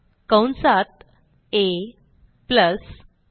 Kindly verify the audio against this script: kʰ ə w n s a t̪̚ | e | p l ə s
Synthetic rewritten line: k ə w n s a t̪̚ | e | p l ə s